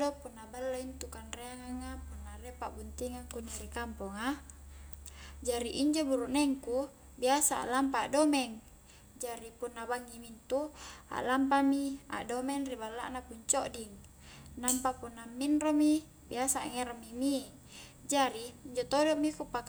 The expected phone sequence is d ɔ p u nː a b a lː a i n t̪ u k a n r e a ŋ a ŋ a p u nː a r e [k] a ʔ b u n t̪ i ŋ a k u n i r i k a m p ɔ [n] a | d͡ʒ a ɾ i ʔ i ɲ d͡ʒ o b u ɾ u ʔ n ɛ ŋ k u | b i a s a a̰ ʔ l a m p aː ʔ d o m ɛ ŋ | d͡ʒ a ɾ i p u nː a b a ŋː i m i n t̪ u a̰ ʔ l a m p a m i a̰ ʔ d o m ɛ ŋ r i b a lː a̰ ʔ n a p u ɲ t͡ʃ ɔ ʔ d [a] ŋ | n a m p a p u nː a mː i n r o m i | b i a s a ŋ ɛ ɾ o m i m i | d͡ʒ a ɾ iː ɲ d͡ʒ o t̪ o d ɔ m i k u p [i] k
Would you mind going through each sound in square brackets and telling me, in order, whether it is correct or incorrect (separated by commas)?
incorrect, incorrect, incorrect, incorrect